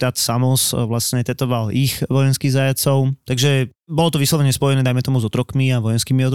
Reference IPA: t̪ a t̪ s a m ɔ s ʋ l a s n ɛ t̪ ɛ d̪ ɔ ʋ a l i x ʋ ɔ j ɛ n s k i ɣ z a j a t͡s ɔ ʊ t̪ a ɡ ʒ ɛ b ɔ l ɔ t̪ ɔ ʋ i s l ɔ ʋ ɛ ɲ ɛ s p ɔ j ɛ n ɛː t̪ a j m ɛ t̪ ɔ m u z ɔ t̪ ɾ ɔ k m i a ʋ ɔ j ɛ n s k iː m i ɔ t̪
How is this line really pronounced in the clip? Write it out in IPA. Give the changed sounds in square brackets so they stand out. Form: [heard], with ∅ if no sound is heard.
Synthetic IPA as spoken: t̪ a t̪ s a m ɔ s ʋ l a s [ɲ] ɛ t̪ ɛ [t̪] ɔ ʋ a l i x ʋ ɔ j ɛ n s k i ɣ z a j a t͡s ɔ ʊ t̪ a ɡ ʒ ɛ b ɔ l ɔ t̪ ɔ ʋ i s l ɔ ʋ ɛ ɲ ɛ s p ɔ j ɛ n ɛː [d̪] a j m ɛ t̪ ɔ m u z ɔ t̪ ɾ ɔ k m i a ʋ ɔ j ɛ n s k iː m i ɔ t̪